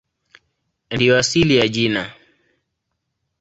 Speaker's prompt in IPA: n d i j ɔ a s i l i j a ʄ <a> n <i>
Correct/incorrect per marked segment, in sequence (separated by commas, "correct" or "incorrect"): incorrect, incorrect